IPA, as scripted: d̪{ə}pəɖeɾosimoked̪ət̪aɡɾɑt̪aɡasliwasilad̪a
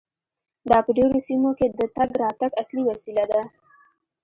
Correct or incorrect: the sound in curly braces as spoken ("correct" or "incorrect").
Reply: incorrect